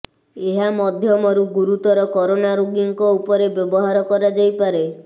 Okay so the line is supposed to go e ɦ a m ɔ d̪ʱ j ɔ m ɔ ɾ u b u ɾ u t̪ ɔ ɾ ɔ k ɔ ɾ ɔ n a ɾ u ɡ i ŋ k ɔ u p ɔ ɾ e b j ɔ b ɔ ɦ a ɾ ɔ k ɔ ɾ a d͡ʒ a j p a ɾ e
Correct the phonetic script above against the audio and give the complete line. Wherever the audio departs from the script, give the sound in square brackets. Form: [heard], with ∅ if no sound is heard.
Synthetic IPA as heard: e ɦ a m ɔ d̪ʱ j ɔ m ɔ ɾ u [ɡ] u ɾ u t̪ ɔ ɾ ɔ k ɔ ɾ [o] n a ɾ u ɡ i ŋ k ɔ u p ɔ ɾ e b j ɔ b ɔ ɦ a ɾ ɔ k ɔ ɾ a d͡ʒ a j p a ɾ e